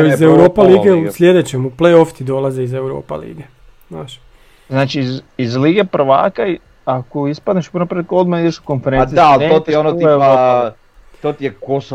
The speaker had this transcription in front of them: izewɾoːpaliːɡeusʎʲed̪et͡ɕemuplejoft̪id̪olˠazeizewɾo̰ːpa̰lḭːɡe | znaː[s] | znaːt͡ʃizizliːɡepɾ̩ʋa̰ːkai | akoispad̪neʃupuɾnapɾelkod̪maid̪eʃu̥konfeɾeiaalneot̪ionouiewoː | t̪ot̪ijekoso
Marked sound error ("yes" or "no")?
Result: yes